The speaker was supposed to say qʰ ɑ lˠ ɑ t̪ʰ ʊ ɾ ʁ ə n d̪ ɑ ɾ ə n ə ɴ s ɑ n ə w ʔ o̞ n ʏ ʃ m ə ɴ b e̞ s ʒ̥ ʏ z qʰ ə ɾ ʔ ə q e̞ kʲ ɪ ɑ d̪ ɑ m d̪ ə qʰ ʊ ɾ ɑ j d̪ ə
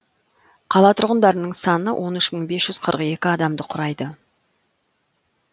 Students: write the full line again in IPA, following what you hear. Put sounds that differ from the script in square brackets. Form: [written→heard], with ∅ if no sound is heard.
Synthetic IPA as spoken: qʰ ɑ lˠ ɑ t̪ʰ ʊ ɾ ʁ ə n d̪ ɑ ɾ ə n ə ɴ s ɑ n ə w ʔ o̞ n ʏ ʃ m ə ɴ b e̞ s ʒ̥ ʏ z qʰ ə ɾ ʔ ə q e̞ kʲ ɪ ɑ d̪ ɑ m d̪ ə qʰ ʊ ɾ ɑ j d̪ ə